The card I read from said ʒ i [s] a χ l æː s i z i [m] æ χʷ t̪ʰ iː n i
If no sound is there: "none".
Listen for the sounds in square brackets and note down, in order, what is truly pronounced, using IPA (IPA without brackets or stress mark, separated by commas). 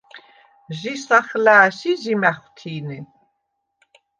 s, m